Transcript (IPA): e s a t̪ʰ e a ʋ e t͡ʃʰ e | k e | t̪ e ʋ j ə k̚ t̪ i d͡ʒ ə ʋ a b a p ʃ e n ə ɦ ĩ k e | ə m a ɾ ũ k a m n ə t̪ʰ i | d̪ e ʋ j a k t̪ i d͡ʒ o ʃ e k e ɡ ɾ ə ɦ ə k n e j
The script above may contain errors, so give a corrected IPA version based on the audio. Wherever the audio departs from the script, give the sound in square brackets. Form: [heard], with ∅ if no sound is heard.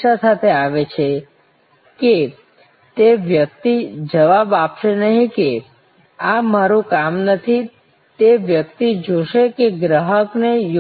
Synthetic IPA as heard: [a] s a t̪ʰ e a ʋ e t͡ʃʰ e | k e | t̪ e ʋ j ə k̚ t̪ i d͡ʒ ə ʋ a b a p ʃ e n ə ɦ ĩ k e | [a] m a ɾ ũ k a m n ə t̪ʰ i | [t̪] e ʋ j [ə] k t̪ i d͡ʒ o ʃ e k e ɡ ɾ ə ɦ ə k n e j